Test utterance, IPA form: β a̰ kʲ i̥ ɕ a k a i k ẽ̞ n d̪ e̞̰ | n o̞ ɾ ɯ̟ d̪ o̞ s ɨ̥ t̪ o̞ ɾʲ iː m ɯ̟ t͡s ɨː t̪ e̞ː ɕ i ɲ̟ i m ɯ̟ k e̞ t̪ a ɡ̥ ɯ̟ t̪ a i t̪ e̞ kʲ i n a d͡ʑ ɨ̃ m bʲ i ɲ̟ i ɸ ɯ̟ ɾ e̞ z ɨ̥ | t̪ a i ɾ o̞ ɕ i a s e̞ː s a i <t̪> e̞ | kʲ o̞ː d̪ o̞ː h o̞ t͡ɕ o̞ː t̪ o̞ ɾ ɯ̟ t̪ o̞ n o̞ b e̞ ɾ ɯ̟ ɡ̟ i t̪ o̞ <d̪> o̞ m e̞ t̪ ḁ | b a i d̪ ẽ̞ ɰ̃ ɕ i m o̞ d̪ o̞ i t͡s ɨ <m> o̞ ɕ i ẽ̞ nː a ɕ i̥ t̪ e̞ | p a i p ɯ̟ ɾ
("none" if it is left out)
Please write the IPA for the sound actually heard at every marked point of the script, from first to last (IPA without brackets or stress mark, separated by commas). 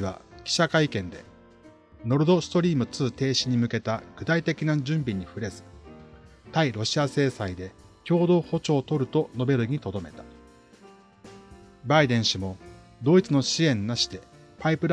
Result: d̪, d̪, n